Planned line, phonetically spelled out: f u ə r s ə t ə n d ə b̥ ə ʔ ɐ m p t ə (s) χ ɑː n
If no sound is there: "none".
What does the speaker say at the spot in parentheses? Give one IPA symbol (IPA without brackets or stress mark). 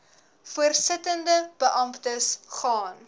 s